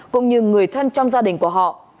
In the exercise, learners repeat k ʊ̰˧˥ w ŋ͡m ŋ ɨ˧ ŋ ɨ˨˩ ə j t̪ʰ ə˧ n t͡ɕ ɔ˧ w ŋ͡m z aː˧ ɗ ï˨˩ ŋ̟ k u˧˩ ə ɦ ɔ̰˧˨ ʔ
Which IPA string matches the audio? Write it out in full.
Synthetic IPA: k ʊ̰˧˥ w ŋ͡m ɲ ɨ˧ ŋ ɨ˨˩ ə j t̪ʰ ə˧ n t͡ɕ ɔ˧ w ŋ͡m z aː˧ ɗ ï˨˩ ŋ̟ k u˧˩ ə ɦ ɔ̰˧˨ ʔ